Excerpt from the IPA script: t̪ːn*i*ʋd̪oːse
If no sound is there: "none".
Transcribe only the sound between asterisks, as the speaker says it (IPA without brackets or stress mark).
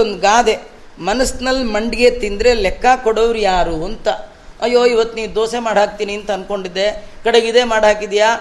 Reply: iː